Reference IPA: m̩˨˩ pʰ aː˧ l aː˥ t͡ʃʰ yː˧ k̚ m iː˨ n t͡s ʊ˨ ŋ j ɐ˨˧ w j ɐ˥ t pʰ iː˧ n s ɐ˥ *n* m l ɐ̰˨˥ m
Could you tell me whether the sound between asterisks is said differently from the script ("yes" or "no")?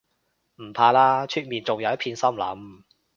yes